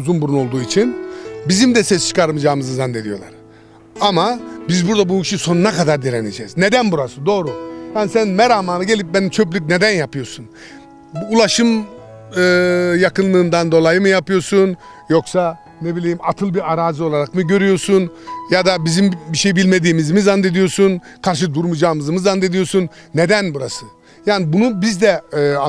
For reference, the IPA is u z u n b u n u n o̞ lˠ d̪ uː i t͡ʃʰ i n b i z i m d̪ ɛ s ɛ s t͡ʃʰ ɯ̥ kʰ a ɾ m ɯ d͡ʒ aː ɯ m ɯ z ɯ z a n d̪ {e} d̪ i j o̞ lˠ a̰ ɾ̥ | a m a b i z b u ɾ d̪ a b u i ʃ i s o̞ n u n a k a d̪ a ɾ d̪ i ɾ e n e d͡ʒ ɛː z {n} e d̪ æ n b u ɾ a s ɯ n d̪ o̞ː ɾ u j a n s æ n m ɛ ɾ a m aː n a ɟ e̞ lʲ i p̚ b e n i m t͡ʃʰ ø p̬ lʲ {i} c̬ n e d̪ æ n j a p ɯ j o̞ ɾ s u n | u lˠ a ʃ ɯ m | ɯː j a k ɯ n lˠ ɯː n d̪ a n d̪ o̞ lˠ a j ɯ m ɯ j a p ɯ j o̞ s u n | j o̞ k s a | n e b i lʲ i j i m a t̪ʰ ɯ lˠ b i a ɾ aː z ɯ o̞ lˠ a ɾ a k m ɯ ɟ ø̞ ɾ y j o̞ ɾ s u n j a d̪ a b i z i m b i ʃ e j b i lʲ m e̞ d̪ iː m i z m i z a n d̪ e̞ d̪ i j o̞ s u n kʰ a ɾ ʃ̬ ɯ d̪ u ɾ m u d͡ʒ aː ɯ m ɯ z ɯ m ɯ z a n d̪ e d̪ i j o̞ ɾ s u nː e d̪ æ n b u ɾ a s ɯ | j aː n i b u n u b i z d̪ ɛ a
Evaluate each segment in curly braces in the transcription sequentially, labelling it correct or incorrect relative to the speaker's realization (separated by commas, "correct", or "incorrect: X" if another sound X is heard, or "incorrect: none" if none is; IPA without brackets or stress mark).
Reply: correct, correct, incorrect: y